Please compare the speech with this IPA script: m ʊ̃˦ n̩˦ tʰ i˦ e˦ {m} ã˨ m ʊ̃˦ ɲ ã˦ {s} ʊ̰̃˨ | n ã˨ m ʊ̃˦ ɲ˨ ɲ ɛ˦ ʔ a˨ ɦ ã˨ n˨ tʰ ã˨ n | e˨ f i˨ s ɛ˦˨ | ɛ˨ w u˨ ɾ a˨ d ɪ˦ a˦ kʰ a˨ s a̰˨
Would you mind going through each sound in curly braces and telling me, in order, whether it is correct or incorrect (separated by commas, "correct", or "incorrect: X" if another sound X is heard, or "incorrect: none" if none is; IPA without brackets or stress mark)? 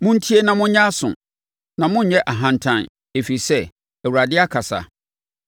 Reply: incorrect: n, correct